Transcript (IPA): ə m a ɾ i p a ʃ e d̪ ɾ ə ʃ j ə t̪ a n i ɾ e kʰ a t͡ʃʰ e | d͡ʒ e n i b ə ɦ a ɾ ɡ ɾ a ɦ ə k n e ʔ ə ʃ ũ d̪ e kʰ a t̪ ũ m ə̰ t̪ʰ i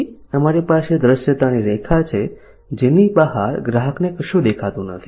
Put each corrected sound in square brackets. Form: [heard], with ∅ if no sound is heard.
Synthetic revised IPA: ə m a ɾ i p a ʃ e d̪ ɾ ə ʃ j ə t̪ a n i ɾ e kʰ a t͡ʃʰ e | d͡ʒ e n i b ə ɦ a ɾ ɡ ɾ a ɦ ə k n e [k] ə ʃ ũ d̪ e kʰ a t̪ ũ [n] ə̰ t̪ʰ i